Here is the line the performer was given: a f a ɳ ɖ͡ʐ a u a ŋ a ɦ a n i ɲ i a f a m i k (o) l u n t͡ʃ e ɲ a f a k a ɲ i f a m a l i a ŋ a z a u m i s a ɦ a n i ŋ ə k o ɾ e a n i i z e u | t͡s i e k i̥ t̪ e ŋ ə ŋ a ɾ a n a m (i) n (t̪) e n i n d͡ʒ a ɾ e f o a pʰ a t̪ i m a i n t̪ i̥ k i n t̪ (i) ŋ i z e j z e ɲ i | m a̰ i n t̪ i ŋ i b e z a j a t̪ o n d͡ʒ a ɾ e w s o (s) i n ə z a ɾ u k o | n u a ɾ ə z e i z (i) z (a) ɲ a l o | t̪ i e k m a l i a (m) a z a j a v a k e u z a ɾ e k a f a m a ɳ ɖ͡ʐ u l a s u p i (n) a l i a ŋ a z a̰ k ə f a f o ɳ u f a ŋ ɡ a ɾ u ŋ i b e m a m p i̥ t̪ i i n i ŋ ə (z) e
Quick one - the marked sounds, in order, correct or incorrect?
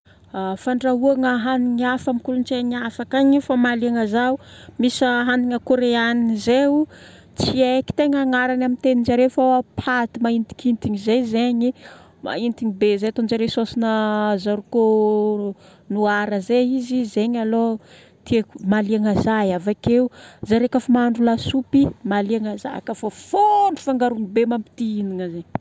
incorrect: u, correct, correct, correct, correct, correct, incorrect: e, incorrect: ŋ, incorrect: m, correct

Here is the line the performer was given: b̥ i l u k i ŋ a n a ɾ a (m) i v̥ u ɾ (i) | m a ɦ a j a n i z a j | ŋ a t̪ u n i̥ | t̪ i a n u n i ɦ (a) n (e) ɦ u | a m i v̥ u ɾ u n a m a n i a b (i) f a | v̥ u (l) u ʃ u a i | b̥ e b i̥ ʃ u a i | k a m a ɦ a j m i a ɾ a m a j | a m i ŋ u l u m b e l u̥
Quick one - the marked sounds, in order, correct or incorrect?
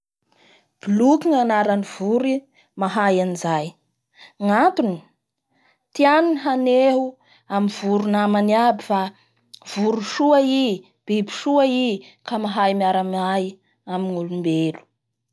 incorrect: n, correct, correct, correct, correct, incorrect: ɾ

